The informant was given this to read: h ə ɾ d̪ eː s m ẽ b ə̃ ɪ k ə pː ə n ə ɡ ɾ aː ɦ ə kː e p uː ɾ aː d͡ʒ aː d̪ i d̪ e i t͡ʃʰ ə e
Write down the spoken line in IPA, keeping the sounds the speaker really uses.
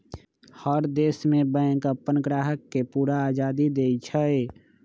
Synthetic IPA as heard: h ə ɾ d̪ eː s m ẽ b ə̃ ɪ k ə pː ə n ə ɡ ɾ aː ɦ ə kː e p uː ɾ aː d͡ʒ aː d̪ i d̪ e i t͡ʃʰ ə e